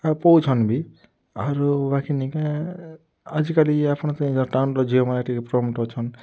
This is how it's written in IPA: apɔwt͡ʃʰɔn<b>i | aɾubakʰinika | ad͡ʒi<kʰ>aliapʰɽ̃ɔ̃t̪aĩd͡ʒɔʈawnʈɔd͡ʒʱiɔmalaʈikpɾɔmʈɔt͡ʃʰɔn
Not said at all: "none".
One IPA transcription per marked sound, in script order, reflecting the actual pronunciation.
b, k

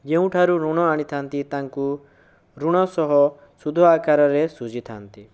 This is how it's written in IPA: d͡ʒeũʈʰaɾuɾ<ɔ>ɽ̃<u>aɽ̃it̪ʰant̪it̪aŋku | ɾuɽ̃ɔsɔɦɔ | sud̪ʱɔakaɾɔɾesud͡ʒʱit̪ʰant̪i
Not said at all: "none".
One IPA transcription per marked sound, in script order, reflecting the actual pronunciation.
u, ɔ

